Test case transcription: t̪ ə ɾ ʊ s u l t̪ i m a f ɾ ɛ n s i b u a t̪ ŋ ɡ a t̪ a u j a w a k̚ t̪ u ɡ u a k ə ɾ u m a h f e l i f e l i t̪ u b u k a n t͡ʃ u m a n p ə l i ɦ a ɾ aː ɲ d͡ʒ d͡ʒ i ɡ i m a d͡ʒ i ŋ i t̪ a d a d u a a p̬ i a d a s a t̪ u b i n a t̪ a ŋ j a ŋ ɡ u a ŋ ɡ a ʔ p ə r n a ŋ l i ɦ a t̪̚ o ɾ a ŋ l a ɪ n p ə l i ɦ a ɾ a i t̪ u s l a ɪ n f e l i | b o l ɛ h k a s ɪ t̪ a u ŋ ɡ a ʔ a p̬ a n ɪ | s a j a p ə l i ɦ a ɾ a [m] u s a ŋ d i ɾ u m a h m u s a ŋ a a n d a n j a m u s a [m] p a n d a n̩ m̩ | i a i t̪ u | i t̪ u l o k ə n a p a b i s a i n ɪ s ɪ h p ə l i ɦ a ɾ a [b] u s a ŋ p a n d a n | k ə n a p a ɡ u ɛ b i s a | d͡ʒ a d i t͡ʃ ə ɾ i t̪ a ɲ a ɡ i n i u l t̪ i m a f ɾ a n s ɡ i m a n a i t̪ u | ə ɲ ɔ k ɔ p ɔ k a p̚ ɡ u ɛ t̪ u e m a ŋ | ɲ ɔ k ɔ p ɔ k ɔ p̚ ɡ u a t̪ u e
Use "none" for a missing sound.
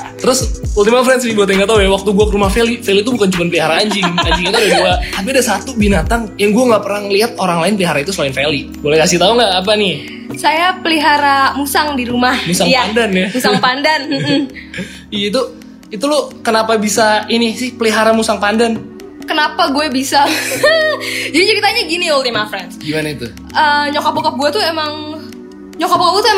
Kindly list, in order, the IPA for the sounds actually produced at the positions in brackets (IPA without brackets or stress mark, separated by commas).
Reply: m, ŋ, m